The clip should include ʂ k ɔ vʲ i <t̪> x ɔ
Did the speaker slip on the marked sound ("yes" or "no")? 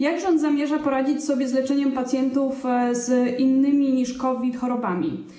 no